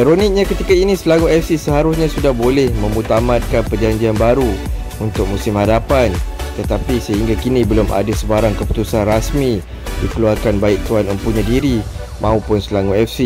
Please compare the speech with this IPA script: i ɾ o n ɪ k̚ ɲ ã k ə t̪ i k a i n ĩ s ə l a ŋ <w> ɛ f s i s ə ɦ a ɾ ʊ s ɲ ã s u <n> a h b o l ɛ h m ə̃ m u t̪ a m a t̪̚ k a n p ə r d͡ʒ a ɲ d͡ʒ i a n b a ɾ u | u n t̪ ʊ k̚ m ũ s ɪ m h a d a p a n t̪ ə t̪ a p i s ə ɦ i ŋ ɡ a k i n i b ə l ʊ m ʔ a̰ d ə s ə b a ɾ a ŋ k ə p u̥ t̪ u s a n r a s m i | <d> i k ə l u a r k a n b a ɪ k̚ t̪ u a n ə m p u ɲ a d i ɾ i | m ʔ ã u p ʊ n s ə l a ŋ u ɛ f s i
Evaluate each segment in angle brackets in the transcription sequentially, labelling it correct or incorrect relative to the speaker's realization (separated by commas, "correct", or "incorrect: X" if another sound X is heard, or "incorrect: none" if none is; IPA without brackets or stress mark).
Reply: incorrect: u, incorrect: d, correct